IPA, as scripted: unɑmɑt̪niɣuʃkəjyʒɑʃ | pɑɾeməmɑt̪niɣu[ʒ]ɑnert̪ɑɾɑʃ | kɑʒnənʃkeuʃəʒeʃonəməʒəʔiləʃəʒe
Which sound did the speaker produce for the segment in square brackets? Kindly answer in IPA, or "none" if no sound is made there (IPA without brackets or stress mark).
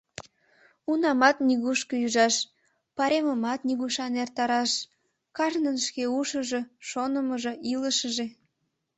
ʃ